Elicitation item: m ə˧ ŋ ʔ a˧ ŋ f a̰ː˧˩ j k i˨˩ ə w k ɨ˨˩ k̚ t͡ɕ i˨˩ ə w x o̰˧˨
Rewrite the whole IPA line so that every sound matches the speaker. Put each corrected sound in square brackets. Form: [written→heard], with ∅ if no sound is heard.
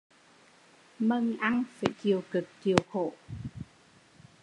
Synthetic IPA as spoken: m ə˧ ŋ ʔ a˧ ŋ f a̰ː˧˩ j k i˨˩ ə w k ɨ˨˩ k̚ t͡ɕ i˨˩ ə w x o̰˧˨